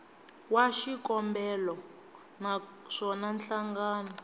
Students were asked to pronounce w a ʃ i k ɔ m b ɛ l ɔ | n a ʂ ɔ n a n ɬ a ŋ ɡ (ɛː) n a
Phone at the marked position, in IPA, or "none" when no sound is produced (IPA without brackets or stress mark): aː